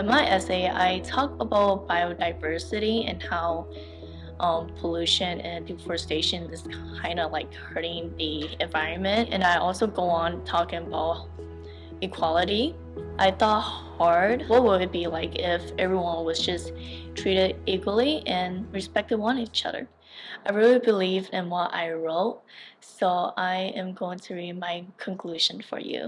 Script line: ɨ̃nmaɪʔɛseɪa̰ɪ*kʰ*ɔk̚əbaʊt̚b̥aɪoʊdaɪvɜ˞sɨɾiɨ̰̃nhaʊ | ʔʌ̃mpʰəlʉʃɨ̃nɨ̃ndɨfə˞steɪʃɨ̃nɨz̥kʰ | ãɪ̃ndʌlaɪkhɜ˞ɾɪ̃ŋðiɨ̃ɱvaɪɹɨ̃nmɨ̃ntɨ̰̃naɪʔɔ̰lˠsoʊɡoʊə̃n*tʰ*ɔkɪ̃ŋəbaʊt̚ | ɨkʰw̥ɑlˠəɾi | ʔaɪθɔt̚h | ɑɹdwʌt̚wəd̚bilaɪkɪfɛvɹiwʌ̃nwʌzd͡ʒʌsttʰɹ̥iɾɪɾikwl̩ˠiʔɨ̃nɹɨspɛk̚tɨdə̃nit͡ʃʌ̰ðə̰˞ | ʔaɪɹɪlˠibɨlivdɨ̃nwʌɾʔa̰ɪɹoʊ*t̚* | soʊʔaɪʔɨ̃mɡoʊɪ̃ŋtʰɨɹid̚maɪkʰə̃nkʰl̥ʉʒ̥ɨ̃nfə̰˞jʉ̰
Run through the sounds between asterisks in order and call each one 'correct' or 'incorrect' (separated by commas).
incorrect, correct, correct